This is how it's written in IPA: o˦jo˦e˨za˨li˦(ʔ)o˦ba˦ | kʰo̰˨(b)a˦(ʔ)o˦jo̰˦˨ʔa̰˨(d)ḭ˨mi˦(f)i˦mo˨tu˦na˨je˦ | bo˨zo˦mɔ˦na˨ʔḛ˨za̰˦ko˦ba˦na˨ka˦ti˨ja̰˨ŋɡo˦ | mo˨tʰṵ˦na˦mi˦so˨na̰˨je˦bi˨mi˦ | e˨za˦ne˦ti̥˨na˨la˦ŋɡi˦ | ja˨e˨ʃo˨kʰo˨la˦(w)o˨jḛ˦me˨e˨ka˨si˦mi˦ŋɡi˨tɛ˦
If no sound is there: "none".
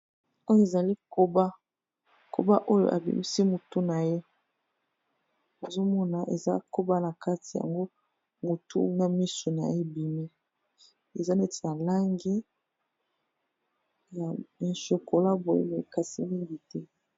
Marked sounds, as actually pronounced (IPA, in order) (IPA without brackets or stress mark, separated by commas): k, b, ʔ, b, s, b